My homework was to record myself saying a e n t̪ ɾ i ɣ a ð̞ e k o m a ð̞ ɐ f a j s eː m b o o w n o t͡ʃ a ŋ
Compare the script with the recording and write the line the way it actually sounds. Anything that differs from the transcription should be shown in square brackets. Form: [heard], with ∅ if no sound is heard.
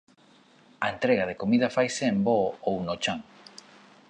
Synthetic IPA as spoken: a e n t̪ ɾ [e] ɣ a ð̞ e k o m [i] ð̞ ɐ f a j s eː m b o o w n o t͡ʃ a ŋ